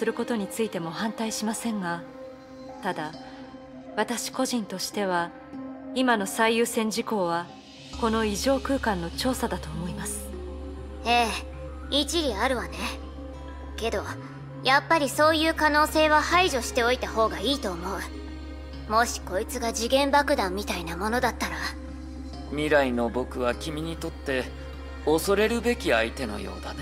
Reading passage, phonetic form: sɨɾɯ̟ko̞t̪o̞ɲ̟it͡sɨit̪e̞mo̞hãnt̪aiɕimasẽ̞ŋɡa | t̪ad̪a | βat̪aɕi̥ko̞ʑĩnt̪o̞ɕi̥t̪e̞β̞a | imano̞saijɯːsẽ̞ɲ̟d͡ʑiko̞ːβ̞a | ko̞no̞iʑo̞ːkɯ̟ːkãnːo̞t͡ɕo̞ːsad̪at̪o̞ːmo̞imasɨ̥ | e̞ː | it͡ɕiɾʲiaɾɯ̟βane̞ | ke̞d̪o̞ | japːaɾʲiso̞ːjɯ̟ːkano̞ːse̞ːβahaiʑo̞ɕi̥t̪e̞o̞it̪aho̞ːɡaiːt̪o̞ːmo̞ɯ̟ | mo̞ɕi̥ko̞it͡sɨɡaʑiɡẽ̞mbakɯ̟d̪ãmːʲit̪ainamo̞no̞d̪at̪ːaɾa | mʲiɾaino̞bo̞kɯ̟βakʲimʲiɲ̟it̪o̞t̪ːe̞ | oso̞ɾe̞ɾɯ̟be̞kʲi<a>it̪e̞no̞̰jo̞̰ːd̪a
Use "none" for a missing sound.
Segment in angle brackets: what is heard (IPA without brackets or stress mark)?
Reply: a